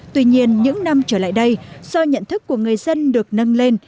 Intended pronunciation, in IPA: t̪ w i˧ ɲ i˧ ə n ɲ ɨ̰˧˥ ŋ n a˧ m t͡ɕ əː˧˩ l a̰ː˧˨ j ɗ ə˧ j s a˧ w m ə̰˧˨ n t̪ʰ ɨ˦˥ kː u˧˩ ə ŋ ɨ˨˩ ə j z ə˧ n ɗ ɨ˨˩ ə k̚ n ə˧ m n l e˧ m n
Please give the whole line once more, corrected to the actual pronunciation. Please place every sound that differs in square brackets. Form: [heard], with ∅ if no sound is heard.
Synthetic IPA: t̪ w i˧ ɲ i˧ ə n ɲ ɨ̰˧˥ ŋ n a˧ m t͡ɕ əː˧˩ l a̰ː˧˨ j ɗ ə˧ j s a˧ w [ɲ] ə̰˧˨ n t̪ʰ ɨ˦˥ kː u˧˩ ə ŋ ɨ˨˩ ə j z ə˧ n ɗ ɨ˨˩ ə k̚ n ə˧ [∅] n l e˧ [∅] n